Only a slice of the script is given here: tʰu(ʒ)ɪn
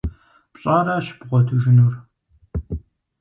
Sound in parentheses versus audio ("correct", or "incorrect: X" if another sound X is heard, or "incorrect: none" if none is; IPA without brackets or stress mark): correct